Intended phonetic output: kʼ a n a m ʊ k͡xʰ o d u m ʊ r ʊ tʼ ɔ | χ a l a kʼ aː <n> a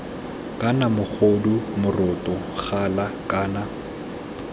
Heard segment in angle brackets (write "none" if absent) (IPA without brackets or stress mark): n